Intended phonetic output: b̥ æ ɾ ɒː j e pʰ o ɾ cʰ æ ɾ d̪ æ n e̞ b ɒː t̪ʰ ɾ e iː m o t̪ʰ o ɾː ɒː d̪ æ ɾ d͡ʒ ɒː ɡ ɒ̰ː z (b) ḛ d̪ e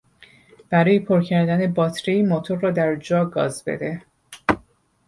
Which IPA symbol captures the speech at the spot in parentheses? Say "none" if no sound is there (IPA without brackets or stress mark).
b